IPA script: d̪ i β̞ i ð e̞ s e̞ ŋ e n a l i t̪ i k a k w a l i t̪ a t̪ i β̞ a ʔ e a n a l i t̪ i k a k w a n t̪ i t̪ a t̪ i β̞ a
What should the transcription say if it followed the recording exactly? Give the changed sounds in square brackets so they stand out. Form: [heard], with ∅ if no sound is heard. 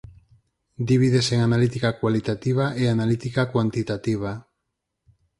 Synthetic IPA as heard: d̪ i β̞ i ð e̞ s e̞ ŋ [a] n a l i t̪ i k a k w a l i t̪ a t̪ i β̞ a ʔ e a n a l i t̪ i k a k w a n t̪ i t̪ a t̪ i β̞ a